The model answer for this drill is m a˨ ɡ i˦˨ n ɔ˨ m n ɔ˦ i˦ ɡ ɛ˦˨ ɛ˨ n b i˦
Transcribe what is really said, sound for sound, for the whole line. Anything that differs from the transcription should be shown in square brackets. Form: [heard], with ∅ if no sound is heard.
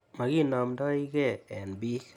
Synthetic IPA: m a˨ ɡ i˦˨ n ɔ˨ m [d] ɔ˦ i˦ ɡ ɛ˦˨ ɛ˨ n b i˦